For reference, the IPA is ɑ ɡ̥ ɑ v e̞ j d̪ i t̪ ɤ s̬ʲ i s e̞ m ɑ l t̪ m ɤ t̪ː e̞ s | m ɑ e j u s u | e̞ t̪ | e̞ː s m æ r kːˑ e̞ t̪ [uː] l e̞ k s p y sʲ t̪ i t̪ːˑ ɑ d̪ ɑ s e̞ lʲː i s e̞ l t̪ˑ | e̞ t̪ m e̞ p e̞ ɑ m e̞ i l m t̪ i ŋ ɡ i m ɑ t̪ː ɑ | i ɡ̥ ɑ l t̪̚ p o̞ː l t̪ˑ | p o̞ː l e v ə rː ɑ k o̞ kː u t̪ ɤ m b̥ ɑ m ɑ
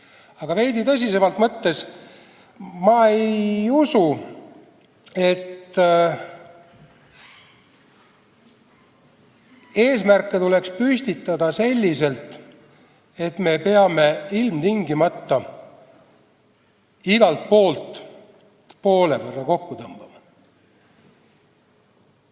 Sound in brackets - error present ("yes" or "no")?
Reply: yes